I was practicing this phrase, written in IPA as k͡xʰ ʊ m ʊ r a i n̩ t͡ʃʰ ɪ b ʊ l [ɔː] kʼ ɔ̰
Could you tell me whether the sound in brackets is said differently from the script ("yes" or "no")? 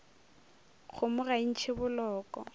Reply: no